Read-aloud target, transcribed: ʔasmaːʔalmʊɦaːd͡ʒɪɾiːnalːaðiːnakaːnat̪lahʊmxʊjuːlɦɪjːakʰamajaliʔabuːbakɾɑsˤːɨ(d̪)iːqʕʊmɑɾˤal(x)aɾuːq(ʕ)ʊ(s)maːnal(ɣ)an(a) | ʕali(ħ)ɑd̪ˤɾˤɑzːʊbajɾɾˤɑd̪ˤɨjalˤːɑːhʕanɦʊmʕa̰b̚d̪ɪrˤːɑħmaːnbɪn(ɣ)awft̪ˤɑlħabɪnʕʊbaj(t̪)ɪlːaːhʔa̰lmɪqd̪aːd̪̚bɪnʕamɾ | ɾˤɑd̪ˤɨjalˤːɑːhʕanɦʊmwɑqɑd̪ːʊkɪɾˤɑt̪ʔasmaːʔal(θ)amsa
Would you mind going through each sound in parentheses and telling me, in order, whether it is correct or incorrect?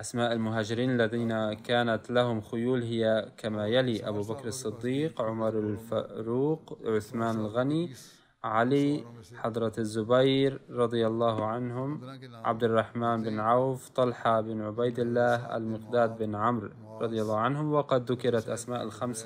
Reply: incorrect: d̪ː, incorrect: f, correct, incorrect: θ, correct, incorrect: i, correct, incorrect: ʕ, incorrect: d̪, incorrect: x

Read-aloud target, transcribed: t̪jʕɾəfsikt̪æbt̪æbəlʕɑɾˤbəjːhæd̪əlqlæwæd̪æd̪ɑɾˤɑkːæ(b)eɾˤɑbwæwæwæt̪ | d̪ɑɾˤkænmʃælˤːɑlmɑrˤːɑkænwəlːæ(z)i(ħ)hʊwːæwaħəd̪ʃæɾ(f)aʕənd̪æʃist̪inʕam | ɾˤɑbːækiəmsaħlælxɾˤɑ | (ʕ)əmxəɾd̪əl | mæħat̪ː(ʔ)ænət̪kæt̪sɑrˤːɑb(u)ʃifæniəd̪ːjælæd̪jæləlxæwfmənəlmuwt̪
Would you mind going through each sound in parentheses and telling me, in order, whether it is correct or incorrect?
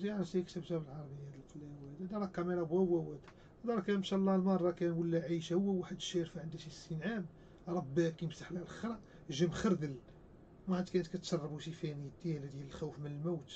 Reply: incorrect: m, incorrect: ʕ, incorrect: ʃ, correct, incorrect: ʒ, incorrect: k, correct

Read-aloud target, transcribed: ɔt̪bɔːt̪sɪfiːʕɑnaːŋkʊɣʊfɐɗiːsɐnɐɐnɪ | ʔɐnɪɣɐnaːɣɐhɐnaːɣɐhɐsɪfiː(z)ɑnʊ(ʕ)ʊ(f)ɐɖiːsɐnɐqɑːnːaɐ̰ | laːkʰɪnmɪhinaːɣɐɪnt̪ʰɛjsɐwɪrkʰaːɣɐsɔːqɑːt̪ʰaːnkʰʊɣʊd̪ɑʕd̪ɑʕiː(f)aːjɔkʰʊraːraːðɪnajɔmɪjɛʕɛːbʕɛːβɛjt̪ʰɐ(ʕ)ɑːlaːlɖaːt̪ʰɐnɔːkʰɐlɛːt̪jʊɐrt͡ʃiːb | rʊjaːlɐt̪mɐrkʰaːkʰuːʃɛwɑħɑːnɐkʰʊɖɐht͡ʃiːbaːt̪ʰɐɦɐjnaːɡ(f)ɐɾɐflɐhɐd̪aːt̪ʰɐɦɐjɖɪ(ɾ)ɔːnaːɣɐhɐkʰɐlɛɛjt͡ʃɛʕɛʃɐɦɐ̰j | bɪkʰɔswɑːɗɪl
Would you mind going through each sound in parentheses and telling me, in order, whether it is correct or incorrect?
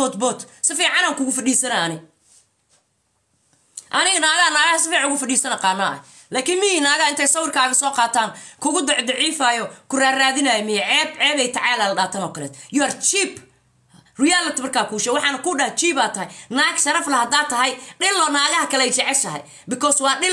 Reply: incorrect: ʕ, incorrect: ɣ, correct, correct, correct, incorrect: ʃ, incorrect: l

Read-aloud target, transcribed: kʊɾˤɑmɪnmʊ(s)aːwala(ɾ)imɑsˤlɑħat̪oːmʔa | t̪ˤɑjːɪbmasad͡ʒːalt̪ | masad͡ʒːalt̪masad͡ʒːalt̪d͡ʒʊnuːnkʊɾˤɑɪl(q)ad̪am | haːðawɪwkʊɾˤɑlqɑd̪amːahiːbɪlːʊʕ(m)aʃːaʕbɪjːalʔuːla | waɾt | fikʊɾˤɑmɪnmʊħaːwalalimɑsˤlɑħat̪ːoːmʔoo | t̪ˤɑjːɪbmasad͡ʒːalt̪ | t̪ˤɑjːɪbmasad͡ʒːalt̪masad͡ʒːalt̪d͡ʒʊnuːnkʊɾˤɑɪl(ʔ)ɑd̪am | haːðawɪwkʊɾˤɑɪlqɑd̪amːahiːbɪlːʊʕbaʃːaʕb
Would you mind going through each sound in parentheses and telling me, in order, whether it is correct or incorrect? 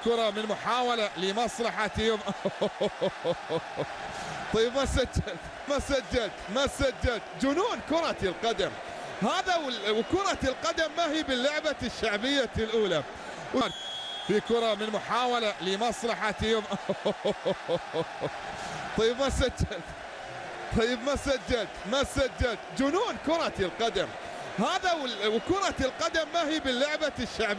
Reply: incorrect: ħ, incorrect: l, correct, incorrect: b, incorrect: q

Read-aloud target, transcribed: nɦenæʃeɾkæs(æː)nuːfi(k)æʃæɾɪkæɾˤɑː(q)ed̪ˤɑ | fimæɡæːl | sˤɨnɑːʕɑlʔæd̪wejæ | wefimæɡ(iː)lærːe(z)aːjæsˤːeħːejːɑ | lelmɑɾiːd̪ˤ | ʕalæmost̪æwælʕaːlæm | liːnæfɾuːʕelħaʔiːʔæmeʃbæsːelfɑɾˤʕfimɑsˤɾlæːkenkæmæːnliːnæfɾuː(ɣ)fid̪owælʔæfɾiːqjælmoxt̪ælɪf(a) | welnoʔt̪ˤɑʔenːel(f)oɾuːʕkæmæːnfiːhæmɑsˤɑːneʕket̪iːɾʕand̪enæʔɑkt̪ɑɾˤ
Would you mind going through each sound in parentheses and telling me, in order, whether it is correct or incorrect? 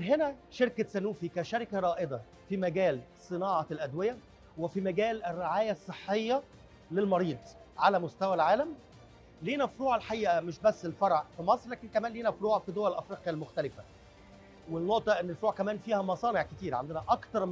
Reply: incorrect: æ, correct, incorrect: ʔ, incorrect: æː, incorrect: ʕ, incorrect: ʕ, incorrect: æ, correct

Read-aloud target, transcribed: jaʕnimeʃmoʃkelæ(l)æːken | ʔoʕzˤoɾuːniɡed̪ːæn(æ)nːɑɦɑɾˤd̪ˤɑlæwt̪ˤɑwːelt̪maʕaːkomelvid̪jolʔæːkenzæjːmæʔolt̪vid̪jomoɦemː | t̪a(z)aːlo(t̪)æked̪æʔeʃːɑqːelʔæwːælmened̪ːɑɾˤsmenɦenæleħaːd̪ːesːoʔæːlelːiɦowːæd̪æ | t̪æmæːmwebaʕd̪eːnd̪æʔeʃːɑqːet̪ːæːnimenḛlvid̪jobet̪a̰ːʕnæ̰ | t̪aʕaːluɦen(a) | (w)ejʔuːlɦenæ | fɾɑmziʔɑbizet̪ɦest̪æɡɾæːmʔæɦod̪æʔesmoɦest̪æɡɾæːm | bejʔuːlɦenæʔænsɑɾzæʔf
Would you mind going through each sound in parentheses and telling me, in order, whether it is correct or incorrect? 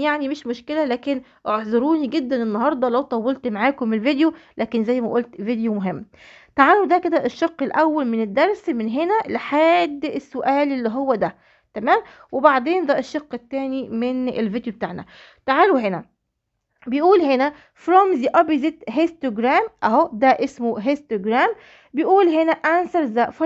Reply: correct, incorrect: e, incorrect: ʕ, incorrect: d̪, incorrect: æ, incorrect: b

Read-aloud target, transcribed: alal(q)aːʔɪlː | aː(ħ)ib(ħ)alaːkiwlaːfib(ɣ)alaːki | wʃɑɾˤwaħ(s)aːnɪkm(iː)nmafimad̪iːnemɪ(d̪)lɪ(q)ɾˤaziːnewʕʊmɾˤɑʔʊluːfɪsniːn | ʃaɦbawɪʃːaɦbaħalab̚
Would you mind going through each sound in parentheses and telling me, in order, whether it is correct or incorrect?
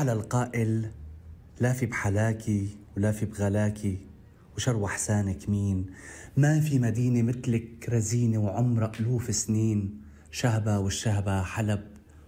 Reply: correct, incorrect: f, correct, correct, correct, correct, incorrect: t̪, incorrect: k

